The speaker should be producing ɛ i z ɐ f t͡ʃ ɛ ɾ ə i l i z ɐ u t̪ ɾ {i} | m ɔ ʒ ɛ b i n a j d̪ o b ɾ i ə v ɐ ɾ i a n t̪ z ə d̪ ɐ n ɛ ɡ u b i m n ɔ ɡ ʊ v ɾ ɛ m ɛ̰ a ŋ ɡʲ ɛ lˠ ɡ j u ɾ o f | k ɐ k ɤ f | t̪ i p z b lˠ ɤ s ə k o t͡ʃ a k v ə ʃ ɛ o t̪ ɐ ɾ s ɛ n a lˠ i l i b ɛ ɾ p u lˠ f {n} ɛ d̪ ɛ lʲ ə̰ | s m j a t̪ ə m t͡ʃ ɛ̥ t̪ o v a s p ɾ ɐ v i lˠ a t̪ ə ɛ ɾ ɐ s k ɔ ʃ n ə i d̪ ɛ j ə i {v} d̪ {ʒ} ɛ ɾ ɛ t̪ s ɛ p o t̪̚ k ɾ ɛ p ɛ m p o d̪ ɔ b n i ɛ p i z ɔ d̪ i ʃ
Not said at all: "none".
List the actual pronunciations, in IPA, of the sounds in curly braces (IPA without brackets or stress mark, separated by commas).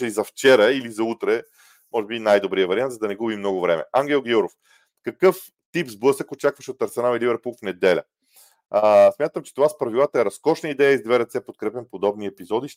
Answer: ɛ, n, z, v